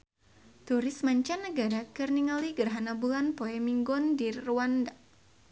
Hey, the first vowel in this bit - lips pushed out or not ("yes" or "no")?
yes